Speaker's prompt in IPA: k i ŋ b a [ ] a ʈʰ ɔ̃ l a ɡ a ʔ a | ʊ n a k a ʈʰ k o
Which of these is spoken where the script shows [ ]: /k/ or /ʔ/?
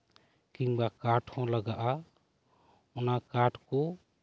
k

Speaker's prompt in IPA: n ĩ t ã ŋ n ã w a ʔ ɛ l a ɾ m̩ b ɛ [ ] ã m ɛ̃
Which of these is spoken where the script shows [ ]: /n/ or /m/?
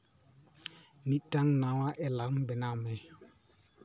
n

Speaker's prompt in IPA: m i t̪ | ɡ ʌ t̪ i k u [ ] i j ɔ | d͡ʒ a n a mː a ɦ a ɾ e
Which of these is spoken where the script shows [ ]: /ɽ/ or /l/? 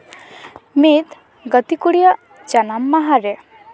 ɽ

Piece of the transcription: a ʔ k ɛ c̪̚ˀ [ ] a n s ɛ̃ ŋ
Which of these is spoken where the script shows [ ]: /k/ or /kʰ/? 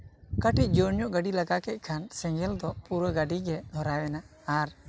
kʰ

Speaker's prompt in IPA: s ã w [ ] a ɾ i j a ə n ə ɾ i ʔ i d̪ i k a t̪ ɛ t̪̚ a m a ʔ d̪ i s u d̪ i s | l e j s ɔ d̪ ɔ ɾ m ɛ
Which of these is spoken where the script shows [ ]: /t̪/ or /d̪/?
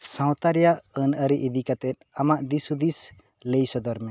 t̪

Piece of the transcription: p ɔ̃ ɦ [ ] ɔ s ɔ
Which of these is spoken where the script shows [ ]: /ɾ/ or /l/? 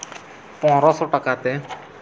ɾ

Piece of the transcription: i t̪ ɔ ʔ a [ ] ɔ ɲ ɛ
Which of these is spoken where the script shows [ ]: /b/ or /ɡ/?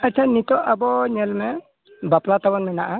b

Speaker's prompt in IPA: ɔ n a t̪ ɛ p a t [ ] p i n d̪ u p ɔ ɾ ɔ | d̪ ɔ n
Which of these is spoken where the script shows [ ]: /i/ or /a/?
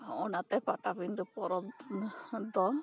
a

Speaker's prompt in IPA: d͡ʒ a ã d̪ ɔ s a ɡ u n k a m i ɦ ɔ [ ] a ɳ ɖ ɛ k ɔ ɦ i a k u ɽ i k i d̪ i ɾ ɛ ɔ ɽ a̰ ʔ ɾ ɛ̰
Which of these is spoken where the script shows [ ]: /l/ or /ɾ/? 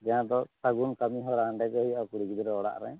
ɾ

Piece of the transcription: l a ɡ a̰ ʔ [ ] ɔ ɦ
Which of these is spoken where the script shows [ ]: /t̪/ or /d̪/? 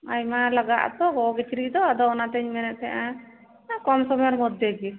t̪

